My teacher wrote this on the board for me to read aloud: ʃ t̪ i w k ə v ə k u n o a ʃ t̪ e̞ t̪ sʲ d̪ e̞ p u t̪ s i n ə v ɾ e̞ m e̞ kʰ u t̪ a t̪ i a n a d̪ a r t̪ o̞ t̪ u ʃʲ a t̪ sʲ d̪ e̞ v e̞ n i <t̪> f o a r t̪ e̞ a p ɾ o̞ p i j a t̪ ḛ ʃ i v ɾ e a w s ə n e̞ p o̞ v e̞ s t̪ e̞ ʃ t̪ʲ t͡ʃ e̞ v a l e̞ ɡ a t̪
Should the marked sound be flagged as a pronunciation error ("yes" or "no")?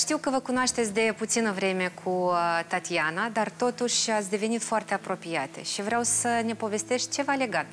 no